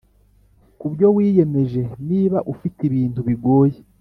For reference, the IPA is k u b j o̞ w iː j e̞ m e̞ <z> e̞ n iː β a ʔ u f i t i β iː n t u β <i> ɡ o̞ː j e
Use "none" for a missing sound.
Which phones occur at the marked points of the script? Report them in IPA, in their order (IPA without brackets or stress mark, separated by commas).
ʒ, i